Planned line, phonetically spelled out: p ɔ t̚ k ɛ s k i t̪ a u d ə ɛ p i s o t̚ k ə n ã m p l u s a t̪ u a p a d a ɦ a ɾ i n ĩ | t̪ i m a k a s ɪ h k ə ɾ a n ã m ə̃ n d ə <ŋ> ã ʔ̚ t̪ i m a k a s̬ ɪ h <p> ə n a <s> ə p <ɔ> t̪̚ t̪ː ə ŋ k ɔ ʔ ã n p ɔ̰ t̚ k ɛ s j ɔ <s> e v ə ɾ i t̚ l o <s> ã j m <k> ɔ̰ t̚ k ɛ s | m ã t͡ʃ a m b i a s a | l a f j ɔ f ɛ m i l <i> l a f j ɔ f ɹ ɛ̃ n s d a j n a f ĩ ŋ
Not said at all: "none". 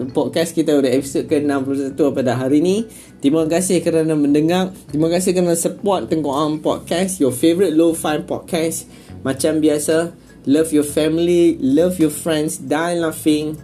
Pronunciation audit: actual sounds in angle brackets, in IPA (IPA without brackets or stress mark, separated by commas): ŋ, k, s, ɔ, f, f, p, i